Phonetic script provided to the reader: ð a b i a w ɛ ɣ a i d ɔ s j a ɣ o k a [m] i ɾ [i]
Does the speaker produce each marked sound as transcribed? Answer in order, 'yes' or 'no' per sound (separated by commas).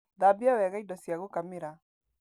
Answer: yes, no